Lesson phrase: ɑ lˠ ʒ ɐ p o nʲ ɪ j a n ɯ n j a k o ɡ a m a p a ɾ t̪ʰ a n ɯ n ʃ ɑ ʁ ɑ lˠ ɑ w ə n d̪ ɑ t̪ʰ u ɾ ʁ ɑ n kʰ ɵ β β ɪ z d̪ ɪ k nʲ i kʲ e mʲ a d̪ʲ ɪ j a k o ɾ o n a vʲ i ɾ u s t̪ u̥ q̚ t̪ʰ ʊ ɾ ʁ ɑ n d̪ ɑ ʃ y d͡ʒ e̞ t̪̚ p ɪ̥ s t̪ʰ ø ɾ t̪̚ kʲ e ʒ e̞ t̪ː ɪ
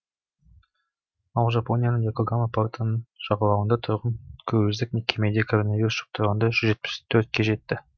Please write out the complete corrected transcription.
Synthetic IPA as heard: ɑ lˠ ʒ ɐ p o nʲ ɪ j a n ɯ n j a k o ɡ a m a p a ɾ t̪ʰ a n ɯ n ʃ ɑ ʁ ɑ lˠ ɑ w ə n d̪ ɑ t̪ʰ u ɾ ʁ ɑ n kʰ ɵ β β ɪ z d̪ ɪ k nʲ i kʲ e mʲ e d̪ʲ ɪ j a k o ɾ o n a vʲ i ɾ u s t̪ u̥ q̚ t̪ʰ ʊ ɾ ʁ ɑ n d̪ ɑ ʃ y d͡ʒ e̞ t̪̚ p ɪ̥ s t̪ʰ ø ɾ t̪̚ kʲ e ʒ e̞ t̪ː ɪ